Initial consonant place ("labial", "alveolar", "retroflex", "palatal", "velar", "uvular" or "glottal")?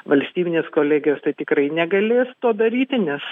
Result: labial